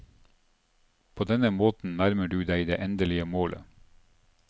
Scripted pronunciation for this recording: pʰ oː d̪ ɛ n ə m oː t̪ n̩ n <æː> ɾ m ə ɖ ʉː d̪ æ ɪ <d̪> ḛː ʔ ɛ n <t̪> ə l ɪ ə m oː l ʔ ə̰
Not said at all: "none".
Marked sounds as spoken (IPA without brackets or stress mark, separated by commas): æ, d̪, d̪